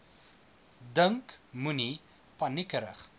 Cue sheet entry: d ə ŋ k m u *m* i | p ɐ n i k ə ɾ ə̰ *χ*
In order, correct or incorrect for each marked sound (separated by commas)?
incorrect, correct